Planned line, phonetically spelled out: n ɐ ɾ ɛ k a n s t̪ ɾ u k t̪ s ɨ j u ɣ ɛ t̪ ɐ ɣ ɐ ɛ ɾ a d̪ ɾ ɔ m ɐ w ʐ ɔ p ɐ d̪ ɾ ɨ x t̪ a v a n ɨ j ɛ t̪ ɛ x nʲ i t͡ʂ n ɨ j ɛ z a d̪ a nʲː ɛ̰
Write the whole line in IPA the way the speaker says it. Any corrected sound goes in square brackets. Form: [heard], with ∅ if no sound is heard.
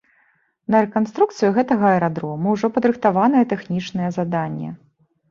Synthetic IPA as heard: n ɐ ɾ ɛ k a n s t̪ ɾ u k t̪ s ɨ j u ɣ ɛ t̪ ɐ ɣ ɐ ɛ ɾ a d̪ ɾ ɔ m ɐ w ʐ ɔ p ɐ d̪ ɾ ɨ x t̪ a v a n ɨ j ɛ t̪ ɛ x nʲ i t͡ʂ n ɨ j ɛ z a d̪ a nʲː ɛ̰